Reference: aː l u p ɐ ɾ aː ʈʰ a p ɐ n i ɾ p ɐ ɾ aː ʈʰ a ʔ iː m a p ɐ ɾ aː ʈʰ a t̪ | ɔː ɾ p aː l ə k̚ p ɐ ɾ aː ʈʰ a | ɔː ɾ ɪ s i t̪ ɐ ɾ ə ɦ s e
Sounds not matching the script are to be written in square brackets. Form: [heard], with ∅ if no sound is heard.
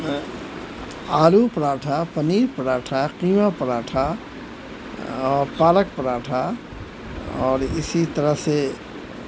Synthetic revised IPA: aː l u p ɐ ɾ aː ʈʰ a p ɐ n [iː] ɾ p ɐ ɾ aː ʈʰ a [q] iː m a p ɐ ɾ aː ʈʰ a [∅] | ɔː ɾ p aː l ə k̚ p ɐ ɾ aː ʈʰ a | ɔː ɾ ɪ s i t̪ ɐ ɾ ə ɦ s e